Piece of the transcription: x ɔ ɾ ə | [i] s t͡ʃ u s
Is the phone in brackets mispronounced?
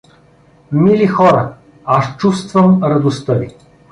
yes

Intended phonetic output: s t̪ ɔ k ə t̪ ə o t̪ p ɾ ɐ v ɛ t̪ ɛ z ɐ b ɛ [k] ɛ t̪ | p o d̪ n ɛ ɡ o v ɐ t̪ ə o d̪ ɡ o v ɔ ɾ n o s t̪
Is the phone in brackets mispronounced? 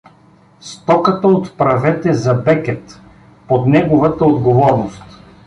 no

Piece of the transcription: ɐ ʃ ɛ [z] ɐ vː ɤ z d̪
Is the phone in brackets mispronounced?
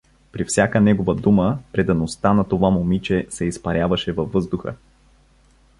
yes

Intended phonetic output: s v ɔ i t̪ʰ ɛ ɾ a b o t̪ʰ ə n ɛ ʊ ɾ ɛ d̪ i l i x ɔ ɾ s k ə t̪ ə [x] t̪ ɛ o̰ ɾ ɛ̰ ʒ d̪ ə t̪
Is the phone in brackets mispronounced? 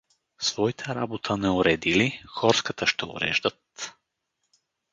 yes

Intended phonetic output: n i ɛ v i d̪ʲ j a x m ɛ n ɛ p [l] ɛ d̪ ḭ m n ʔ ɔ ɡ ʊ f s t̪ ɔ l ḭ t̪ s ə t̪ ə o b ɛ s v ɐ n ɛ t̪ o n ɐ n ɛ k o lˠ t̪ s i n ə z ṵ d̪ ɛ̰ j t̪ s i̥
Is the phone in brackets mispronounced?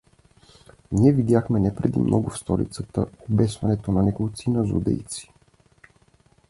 yes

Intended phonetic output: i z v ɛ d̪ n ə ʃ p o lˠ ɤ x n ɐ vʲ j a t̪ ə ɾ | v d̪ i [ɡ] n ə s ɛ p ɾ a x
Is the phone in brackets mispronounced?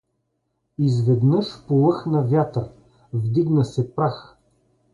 no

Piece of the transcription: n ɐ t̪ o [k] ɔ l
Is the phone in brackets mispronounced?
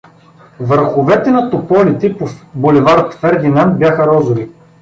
yes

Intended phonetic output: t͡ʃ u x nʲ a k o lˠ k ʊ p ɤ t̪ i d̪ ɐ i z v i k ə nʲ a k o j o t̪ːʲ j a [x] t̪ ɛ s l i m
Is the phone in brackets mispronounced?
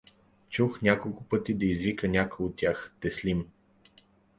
no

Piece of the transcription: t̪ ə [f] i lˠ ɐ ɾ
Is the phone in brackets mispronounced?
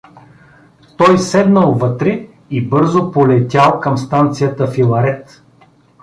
no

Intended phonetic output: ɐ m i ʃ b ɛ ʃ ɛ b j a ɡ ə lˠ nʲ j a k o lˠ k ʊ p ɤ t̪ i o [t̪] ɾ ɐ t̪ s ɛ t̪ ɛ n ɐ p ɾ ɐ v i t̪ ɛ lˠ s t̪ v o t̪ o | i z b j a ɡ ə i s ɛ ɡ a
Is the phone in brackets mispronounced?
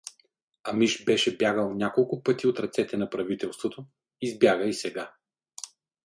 no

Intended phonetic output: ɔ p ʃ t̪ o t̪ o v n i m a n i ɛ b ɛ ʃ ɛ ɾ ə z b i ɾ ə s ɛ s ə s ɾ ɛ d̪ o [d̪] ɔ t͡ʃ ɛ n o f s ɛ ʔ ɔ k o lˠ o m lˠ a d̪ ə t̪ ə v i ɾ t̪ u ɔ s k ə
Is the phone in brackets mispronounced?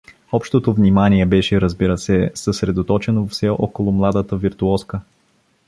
yes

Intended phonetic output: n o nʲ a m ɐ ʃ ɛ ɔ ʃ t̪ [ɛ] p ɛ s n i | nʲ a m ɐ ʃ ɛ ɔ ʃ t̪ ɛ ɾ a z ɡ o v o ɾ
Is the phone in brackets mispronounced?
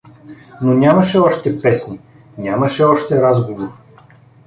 no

